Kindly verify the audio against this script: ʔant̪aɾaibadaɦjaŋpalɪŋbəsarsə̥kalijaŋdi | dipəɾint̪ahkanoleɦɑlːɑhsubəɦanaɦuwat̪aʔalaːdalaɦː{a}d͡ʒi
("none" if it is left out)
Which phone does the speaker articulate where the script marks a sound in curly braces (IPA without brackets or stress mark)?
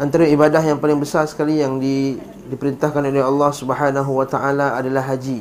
a